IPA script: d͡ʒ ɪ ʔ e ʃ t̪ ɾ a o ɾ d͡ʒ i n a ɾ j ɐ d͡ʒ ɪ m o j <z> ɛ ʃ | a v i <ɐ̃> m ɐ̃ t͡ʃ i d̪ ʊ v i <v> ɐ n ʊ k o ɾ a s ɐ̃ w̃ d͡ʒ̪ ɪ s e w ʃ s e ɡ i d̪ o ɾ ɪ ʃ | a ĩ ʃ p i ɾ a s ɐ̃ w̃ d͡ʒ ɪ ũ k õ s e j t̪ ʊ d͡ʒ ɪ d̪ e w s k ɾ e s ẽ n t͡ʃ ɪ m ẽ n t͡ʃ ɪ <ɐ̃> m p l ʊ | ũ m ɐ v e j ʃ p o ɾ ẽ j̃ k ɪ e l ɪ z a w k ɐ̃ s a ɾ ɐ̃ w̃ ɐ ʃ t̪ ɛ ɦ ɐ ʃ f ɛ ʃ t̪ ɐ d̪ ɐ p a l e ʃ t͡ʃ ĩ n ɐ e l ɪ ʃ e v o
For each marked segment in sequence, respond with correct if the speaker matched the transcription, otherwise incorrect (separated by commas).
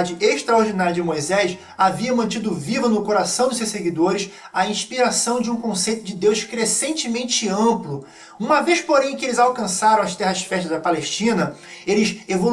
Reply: correct, incorrect, correct, correct